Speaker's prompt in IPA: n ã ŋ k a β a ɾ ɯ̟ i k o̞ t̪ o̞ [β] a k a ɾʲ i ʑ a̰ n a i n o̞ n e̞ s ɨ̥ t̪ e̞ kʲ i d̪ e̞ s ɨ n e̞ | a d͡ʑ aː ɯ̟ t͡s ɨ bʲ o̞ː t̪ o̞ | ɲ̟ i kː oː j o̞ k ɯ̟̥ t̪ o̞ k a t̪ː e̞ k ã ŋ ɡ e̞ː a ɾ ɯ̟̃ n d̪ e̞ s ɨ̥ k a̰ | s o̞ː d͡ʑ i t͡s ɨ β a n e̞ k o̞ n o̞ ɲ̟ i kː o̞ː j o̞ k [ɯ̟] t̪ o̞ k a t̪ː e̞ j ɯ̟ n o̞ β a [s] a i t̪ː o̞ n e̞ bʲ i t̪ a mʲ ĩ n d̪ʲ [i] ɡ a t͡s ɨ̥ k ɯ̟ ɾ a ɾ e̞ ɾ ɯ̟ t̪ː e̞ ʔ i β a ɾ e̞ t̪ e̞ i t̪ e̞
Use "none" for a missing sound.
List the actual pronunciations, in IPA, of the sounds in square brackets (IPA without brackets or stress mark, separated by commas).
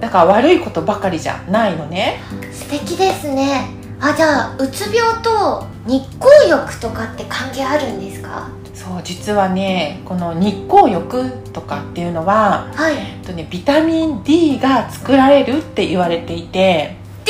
b, ɯ̟, h, iː